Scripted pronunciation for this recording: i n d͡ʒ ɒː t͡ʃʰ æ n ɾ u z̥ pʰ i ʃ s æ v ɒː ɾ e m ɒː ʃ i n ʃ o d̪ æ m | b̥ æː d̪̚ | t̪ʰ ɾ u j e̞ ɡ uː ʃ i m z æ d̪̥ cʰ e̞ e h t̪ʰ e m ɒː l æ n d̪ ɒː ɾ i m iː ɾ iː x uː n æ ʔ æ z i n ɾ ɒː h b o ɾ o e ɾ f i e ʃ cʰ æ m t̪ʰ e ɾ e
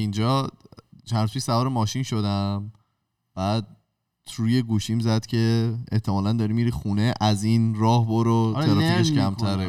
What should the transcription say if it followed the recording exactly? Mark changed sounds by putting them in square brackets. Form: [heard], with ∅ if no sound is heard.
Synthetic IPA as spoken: i n d͡ʒ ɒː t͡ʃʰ æ n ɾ u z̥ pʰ i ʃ s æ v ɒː ɾ e m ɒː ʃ i n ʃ o d̪ æ m | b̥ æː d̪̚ | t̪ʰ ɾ u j e̞ ɡ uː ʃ i m z æ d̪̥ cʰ e̞ e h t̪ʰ e m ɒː l æ n d̪ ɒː ɾ i m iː ɾ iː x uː n [e] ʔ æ z i n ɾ ɒː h b o ɾ o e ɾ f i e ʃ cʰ æ m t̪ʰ [æ] ɾ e